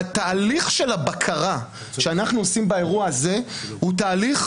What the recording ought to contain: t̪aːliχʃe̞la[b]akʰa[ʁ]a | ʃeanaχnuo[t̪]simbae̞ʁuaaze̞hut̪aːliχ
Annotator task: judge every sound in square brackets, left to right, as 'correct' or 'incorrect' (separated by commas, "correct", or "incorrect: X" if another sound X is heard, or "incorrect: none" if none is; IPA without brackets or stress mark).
correct, correct, incorrect: none